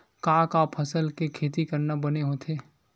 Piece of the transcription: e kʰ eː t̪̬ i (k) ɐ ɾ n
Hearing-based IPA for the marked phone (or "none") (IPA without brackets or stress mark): k